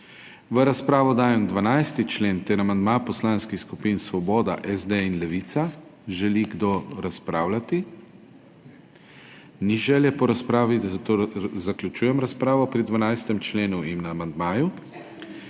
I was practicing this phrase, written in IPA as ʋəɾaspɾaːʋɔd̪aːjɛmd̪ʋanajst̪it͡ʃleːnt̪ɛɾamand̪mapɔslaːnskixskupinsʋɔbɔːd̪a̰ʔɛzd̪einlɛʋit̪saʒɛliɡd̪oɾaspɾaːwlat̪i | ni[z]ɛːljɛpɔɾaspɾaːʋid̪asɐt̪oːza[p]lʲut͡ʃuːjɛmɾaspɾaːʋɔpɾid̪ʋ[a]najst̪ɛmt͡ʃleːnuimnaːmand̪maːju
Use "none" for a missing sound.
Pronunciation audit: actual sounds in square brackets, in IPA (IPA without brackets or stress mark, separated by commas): ʒ, k, a